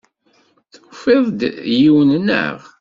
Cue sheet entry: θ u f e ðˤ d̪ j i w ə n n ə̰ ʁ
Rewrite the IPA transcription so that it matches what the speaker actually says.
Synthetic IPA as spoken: θ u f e ðˤ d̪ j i w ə n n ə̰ ʁ